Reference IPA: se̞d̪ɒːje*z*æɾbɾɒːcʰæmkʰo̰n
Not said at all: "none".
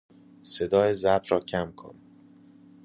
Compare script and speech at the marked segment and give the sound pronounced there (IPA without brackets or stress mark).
z